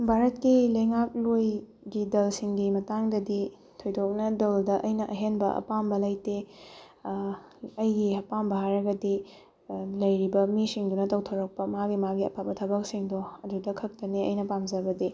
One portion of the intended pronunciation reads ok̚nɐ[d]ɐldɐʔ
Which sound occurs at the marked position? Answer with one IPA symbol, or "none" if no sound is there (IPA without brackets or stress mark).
d